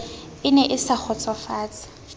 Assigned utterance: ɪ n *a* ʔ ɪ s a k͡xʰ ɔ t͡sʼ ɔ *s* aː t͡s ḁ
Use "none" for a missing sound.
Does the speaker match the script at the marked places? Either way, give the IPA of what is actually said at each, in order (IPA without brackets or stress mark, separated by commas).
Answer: ɛ, f